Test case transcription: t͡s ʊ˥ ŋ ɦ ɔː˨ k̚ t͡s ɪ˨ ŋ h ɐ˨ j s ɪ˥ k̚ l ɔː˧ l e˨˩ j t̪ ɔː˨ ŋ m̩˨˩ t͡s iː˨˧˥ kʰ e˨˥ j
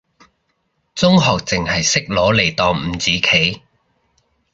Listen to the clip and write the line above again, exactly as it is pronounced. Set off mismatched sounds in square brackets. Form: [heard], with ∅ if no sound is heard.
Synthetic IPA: t͡s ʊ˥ ŋ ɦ ɔː˨ k̚ t͡s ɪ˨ ŋ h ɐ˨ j s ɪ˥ k̚ l [ɔː˨˥] l e˨˩ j t̪ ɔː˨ ŋ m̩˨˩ t͡s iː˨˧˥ kʰ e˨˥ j